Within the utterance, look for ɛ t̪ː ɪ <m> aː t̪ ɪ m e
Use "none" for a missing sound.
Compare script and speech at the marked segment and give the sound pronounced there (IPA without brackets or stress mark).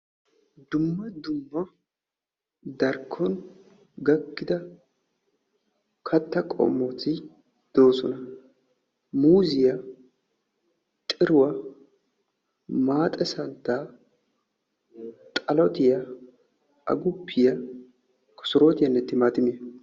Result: m